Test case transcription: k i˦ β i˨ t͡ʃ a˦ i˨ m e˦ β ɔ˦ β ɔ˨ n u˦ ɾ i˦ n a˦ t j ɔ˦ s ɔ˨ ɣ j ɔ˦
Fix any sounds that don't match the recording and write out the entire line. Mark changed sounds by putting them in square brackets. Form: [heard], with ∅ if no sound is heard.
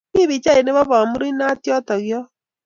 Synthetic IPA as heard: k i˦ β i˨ t͡ʃ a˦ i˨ [n] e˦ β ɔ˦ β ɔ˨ [m] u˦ ɾ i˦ n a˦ t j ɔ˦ [t] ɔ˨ ɣ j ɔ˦